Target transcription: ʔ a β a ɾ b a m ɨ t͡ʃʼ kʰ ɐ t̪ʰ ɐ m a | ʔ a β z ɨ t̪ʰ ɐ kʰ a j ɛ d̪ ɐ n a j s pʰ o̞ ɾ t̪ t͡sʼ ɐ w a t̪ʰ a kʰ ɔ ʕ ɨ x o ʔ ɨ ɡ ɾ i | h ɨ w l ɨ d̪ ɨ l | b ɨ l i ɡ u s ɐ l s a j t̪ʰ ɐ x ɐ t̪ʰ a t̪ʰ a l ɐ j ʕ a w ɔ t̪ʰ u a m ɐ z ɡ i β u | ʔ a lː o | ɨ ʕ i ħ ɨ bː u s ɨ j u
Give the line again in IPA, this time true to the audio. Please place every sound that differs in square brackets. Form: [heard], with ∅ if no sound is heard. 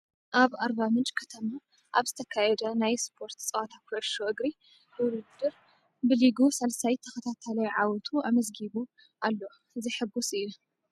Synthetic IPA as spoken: ʔ a β a ɾ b a m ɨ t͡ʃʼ kʰ ɐ t̪ʰ ɐ m a | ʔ a β z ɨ t̪ʰ ɐ kʰ a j ɛ d̪ ɐ n a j s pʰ o̞ ɾ t̪ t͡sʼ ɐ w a t̪ʰ a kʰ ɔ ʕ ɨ [ʃ] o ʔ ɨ ɡ ɾ i | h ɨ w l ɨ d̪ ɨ [ɾ] | b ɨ l i ɡ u s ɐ l s a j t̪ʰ ɐ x ɐ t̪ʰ a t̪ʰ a l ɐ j ʕ a w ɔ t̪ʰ u a m ɐ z ɡ i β u | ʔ a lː o | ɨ [z] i ħ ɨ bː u s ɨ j u